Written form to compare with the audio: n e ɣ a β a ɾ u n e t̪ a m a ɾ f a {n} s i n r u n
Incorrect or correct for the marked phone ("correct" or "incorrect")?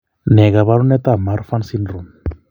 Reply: correct